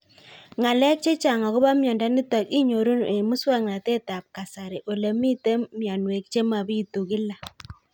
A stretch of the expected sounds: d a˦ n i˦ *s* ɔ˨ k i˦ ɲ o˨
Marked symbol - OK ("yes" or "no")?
no